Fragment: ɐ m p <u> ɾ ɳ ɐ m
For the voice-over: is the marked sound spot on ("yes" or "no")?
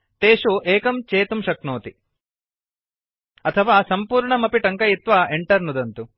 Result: no